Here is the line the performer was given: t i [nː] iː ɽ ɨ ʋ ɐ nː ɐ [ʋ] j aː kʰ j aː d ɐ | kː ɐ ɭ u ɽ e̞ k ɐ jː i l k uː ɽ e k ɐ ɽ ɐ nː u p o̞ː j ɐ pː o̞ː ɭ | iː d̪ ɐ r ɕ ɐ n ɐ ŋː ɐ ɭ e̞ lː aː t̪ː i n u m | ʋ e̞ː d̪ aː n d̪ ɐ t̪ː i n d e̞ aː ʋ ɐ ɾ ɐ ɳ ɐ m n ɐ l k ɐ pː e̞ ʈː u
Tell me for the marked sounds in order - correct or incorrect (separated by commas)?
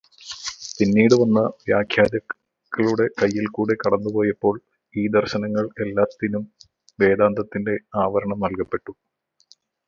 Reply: correct, correct